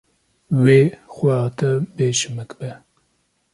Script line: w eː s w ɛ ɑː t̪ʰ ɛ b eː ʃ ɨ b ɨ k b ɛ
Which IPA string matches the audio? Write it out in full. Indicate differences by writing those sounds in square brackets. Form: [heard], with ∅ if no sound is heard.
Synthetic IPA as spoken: w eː [x] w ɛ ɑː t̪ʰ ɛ b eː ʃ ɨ [m] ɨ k b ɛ

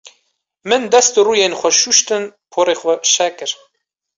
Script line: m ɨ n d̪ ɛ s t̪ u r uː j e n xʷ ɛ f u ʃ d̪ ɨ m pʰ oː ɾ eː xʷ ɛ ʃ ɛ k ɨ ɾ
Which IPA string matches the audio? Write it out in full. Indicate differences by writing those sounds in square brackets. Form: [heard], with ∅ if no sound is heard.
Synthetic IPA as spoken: m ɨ n d̪ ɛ s t̪ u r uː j e n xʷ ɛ [ʃ] u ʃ [t̪] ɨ [n] pʰ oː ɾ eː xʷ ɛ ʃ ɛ k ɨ ɾ

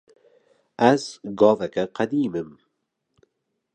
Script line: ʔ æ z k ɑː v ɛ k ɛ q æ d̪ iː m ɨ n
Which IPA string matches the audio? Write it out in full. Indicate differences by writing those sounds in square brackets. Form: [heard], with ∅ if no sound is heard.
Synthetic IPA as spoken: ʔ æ z [ɡ] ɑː v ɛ k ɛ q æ d̪ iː m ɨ [m]

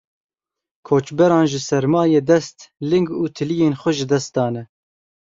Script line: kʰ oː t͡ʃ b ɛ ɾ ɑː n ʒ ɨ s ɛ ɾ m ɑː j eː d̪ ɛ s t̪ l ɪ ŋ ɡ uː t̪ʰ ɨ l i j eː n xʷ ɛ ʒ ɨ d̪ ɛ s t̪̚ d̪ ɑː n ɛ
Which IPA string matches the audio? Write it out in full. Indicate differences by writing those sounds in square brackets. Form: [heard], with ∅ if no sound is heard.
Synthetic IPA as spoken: kʰ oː t͡ʃ b ɛ ɾ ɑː n ʒ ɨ s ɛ ɾ m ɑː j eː d̪ ɛ s t̪ l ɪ ŋ ɡ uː t̪ʰ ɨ l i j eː n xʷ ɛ ʒ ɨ d̪ ɛ s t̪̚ d̪ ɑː n ɛ

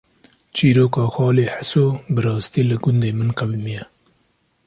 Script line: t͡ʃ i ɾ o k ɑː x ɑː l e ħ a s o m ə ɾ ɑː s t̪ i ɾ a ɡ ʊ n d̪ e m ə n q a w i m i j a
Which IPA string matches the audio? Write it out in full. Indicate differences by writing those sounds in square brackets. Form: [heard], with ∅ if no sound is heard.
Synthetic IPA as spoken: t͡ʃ i ɾ o k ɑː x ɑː l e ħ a s o [b] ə ɾ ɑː s t̪ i [l] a ɡ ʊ n d̪ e m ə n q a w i m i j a

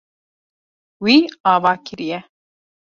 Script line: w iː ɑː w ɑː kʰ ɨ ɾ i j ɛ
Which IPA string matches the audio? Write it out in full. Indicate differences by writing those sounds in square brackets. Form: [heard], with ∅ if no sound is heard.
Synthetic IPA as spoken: w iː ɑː [v] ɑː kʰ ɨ ɾ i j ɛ

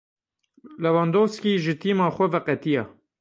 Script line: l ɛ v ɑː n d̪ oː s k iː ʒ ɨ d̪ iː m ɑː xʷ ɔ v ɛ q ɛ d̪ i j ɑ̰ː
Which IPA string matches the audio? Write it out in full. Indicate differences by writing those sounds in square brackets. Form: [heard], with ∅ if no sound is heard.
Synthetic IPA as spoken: l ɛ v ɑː n d̪ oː s k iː ʒ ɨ [t̪] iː m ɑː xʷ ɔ v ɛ q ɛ [t̪] i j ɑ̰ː

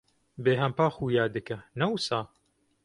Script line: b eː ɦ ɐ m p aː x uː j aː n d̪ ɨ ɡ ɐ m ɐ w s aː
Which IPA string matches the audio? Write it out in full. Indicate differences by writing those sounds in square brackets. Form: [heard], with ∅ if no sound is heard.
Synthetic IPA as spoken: b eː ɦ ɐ m p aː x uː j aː [∅] d̪ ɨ [k] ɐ [n] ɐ w s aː

